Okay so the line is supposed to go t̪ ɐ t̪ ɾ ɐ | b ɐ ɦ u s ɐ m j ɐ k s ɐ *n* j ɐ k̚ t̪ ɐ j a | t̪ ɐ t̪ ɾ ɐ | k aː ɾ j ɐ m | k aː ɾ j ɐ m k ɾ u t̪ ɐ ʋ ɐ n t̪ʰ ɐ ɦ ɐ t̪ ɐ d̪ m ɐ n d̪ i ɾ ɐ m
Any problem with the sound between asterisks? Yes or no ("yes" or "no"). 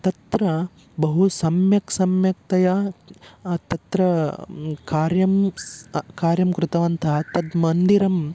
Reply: yes